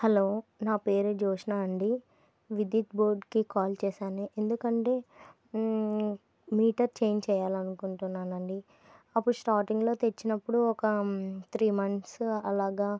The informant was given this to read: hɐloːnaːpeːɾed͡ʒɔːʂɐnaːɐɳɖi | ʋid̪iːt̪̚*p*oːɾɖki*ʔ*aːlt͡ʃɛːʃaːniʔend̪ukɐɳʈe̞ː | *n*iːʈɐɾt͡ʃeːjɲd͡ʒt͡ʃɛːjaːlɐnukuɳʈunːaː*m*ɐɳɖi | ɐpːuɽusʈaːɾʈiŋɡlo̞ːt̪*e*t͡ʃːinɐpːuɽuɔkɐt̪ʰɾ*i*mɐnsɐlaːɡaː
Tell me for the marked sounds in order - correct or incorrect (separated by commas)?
incorrect, incorrect, incorrect, incorrect, correct, incorrect